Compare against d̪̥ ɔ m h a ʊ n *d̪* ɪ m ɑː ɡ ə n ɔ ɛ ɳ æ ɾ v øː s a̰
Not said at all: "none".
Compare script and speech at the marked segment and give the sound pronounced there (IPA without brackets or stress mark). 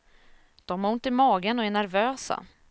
t̪